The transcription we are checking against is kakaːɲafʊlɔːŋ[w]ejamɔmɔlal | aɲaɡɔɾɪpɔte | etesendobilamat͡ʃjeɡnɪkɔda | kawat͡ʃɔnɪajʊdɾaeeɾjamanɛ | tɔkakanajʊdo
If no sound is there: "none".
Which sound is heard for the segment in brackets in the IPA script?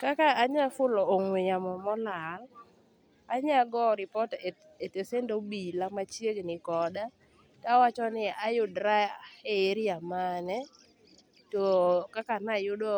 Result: w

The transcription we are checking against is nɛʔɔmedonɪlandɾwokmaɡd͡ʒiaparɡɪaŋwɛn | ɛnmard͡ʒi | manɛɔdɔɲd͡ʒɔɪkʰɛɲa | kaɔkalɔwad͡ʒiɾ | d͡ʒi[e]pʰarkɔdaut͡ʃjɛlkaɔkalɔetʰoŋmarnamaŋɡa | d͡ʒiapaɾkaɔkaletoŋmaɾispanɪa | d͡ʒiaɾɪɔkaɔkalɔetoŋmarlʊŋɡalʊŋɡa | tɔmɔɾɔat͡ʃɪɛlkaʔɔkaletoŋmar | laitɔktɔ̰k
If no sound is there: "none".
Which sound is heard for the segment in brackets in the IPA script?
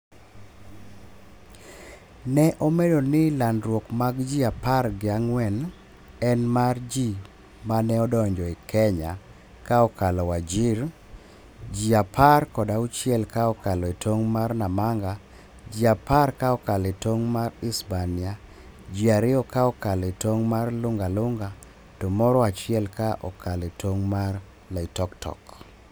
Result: a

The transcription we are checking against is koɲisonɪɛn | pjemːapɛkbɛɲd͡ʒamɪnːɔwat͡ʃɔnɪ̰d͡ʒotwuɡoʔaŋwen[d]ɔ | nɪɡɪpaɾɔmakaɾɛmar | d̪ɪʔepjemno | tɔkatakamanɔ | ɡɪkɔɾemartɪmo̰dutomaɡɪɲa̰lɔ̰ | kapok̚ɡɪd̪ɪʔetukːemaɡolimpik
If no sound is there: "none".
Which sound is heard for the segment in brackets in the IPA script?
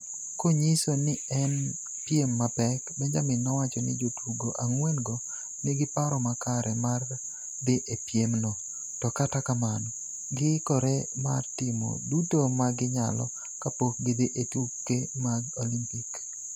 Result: ɡ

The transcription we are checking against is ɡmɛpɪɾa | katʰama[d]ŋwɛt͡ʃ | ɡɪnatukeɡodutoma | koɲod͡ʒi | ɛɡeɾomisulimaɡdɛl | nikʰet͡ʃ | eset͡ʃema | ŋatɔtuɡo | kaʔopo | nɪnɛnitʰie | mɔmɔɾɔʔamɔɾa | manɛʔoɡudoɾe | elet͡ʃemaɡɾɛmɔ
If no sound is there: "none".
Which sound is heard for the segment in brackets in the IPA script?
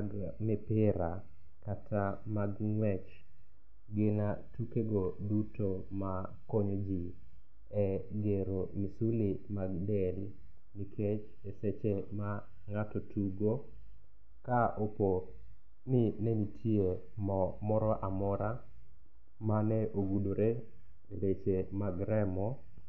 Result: ɡ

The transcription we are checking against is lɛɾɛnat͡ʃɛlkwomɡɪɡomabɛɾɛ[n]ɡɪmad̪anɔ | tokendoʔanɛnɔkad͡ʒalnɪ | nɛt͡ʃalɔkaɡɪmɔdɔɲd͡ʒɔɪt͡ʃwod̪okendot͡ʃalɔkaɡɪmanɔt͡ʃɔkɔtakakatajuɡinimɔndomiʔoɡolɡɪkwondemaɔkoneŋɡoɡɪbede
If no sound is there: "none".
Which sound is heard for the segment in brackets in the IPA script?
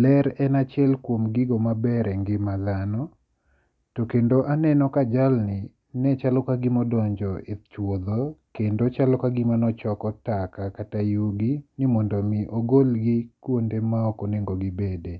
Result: ŋ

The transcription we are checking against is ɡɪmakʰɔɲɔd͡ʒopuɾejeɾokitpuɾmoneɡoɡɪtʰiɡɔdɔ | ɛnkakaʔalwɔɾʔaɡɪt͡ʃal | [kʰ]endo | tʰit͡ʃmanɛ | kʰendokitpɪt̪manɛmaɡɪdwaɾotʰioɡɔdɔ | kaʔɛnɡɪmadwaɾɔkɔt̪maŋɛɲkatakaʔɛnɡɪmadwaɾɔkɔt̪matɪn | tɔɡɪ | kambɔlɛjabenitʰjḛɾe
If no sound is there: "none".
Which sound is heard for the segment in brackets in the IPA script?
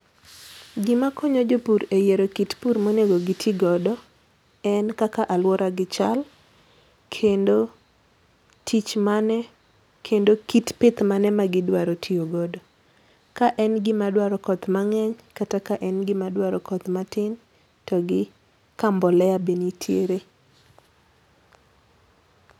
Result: kʰ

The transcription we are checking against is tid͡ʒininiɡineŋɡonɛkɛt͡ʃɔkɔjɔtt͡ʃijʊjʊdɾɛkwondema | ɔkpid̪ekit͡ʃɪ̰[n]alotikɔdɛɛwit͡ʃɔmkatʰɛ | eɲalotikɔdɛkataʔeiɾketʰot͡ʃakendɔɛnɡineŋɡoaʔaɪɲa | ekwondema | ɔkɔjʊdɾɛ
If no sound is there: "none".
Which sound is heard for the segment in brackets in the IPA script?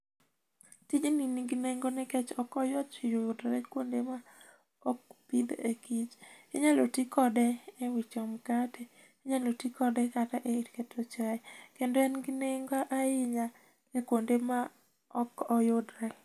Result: ɲ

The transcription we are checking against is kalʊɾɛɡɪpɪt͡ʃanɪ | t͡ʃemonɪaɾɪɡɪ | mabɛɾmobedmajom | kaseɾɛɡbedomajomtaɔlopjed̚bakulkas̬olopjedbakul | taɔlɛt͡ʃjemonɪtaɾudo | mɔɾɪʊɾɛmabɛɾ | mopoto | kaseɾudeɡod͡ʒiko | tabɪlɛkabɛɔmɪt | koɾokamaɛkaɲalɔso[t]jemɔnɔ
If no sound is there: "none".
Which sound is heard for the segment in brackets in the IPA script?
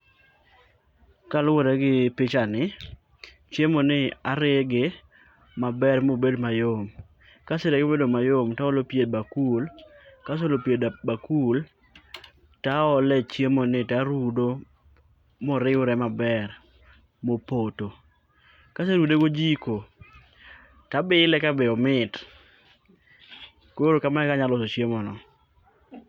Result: t͡ʃ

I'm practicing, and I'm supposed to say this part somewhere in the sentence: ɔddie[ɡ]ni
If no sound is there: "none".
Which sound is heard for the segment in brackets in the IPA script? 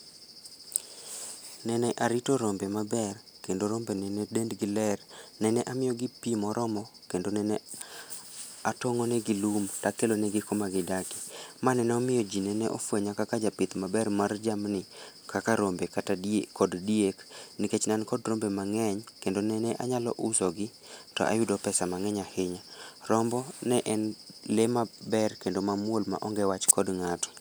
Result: k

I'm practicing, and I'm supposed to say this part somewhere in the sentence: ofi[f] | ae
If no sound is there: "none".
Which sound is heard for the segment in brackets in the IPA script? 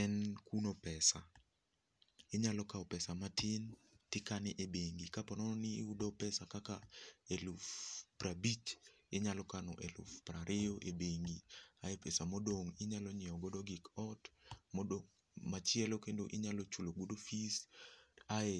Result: s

